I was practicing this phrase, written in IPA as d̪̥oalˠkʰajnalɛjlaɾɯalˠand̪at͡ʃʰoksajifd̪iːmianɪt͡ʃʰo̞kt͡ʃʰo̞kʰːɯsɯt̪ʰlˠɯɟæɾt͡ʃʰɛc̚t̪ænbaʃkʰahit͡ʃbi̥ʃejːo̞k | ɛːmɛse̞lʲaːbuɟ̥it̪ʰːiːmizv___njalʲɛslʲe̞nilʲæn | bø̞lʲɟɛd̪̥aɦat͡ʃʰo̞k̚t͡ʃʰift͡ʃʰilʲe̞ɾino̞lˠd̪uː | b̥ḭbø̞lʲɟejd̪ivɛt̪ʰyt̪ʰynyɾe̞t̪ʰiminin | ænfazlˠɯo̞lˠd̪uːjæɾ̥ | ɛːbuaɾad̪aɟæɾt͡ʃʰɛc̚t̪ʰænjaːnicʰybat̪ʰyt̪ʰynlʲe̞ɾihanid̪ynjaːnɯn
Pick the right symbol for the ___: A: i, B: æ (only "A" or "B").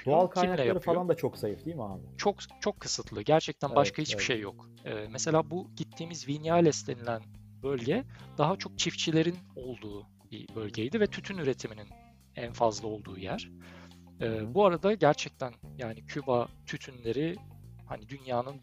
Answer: A